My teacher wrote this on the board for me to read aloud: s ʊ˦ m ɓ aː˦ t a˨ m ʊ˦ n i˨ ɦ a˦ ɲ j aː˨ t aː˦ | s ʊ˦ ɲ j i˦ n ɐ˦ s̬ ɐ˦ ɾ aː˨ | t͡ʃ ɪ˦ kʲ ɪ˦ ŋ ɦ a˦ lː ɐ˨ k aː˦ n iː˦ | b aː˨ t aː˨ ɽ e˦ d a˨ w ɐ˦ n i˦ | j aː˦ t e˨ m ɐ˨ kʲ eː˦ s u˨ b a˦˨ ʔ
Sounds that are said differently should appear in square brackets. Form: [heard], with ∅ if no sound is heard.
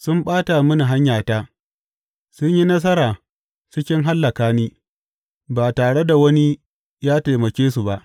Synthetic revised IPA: s ʊ˦ m ɓ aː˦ t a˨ m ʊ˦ n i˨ ɦ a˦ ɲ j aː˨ t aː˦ | s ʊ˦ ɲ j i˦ n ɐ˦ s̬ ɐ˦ ɾ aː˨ | t͡ʃ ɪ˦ kʲ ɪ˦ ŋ ɦ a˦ lː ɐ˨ k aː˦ n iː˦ | b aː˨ t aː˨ ɽ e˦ d a˨ w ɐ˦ n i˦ | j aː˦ t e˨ m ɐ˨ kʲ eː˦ s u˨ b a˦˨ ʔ

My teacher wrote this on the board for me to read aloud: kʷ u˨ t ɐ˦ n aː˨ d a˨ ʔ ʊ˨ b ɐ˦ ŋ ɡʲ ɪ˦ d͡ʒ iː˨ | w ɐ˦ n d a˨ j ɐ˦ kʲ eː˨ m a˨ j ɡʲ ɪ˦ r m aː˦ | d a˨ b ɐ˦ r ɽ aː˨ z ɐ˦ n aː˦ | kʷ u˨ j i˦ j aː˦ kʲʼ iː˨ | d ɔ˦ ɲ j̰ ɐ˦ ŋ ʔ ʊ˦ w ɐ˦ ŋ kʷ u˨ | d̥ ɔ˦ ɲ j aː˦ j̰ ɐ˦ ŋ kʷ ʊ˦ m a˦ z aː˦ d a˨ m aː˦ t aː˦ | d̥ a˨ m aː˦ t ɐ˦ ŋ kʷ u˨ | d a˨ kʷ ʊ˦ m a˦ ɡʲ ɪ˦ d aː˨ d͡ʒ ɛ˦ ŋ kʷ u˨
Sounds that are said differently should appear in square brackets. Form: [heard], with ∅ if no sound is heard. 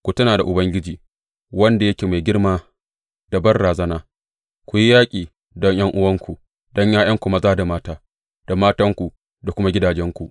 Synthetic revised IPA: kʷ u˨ t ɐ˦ n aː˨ d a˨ ʔ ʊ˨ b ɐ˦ ŋ ɡʲ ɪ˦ d͡ʒ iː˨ | w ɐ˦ n d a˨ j ɐ˦ kʲ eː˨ m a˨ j ɡʲ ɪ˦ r m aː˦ | d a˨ b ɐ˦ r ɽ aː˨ z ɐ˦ n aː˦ | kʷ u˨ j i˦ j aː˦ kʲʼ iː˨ | d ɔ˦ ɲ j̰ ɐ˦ ŋ ʔ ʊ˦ w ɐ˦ ŋ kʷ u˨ | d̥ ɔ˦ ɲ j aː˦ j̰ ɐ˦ ŋ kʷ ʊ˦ m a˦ z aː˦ d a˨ m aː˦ t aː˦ | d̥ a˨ m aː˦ t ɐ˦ ŋ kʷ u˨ | d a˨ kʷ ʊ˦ m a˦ ɡʲ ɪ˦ d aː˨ d͡ʒ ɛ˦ ŋ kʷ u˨

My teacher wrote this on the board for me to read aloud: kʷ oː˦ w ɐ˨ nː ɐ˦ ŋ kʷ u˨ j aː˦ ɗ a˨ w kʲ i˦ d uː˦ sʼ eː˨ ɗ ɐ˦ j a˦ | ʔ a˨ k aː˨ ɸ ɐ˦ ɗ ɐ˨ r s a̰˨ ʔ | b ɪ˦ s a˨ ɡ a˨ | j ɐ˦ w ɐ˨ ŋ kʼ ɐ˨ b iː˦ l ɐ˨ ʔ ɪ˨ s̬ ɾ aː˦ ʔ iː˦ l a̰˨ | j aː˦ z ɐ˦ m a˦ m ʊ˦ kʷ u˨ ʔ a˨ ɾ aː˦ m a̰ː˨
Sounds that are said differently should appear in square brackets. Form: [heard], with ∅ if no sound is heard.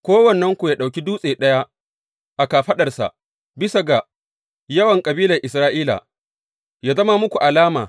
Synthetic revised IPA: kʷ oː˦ w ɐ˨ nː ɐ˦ ŋ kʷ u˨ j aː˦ ɗ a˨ w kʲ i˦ d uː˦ sʼ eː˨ ɗ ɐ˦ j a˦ | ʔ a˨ k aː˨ ɸ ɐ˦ ɗ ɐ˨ r s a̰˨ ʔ | b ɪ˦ s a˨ ɡ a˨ | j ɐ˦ w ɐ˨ ŋ kʼ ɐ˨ b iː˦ l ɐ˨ ʔ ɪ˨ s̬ ɾ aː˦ ʔ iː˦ l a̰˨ | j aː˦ z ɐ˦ m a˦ m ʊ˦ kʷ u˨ ʔ a˨ [l] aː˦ m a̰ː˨

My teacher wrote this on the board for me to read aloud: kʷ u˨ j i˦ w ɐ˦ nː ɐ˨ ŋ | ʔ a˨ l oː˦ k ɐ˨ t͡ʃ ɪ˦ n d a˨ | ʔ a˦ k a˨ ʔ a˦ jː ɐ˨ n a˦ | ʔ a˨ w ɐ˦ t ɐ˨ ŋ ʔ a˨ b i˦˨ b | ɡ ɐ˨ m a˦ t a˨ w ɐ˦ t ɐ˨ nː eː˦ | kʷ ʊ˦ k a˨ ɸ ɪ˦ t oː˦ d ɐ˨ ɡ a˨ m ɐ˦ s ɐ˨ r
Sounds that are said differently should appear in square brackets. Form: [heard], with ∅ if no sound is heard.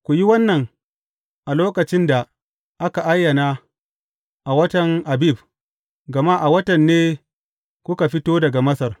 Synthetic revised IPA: kʷ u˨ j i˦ w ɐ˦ nː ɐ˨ ŋ | ʔ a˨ l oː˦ k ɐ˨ t͡ʃ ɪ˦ n d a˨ | ʔ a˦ k a˨ ʔ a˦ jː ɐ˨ n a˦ | ʔ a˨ w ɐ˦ t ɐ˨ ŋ ʔ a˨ b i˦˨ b | ɡ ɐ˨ m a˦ [ʔ] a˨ w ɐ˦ t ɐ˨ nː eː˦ | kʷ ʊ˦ k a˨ ɸ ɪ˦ t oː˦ d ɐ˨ ɡ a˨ m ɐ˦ s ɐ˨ r

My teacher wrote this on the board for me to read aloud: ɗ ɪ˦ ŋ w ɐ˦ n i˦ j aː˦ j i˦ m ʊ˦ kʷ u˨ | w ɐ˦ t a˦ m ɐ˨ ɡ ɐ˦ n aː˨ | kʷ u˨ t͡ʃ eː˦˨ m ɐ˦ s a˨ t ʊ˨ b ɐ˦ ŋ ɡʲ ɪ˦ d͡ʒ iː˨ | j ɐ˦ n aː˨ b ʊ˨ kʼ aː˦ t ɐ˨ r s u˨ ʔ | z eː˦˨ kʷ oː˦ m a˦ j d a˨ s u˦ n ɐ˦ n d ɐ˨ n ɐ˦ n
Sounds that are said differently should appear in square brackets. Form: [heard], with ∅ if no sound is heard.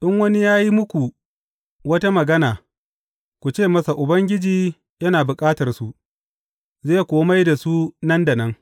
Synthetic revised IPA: ɗ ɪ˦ ŋ w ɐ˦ n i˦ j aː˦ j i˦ m ʊ˦ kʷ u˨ | w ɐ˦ t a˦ m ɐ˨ ɡ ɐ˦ n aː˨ | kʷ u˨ t͡ʃ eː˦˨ m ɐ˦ s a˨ [ʔ] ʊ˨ b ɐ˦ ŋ ɡʲ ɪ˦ d͡ʒ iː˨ | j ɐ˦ n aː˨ b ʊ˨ kʼ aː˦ t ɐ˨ r s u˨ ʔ | z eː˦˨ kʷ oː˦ m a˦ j d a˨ s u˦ n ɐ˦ n d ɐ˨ n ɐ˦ [ŋ]

